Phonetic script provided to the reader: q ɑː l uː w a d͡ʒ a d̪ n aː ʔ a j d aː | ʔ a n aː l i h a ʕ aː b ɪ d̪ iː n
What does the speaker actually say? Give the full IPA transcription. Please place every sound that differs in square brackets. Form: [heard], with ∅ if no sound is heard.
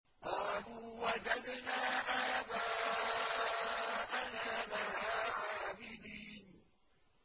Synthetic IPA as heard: q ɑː l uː w a d͡ʒ a d̪ n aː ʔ a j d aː | ʔ a n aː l [a] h a ʕ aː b ɪ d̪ iː n

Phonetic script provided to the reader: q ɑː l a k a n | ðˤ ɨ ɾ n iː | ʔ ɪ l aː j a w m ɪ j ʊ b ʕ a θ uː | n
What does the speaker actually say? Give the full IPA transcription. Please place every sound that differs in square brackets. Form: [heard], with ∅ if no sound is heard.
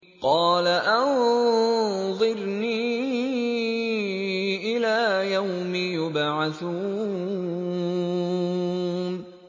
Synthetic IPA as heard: q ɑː l a [ʔ] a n | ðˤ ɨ ɾ n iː | ʔ ɪ l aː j a w m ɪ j ʊ b ʕ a θ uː | n

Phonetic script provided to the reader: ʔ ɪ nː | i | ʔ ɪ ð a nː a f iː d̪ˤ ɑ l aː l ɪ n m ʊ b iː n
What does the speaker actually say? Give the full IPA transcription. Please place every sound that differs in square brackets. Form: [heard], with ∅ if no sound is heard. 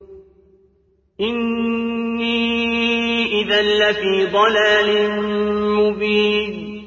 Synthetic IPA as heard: ʔ ɪ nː | i | ʔ ɪ ð a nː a f iː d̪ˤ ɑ l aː l ɪ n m ʊ b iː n

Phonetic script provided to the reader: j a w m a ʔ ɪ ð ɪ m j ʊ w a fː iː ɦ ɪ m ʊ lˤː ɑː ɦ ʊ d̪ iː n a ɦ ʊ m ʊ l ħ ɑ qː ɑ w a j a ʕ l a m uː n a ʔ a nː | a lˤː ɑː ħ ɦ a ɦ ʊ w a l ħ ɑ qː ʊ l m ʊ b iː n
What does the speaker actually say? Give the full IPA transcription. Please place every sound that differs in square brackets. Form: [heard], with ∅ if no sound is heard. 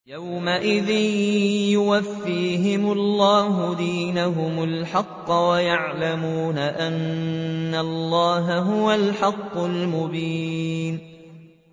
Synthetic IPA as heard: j a w m a ʔ ɪ ð ɪ [n] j ʊ w a fː iː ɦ ɪ m ʊ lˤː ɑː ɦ ʊ d̪ iː n a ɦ ʊ m ʊ l ħ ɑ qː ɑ w a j a ʕ l a m uː n a ʔ a nː | a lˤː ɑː [∅] ɦ a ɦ ʊ w a l ħ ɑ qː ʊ l m ʊ b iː n

